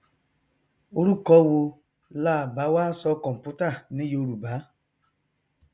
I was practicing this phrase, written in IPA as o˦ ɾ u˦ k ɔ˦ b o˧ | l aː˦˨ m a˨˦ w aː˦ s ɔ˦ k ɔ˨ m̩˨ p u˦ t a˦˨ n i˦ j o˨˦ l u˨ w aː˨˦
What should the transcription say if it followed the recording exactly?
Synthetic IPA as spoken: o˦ ɾ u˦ k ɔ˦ w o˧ | l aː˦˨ b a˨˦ w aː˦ s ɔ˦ k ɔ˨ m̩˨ p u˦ t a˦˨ n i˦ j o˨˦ ɾ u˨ b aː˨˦